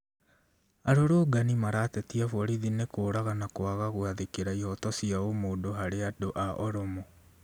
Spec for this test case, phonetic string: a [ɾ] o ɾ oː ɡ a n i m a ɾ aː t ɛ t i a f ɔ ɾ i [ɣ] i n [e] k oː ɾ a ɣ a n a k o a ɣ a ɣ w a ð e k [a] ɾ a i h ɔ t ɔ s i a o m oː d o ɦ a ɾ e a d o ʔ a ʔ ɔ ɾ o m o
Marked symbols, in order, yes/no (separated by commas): yes, no, yes, no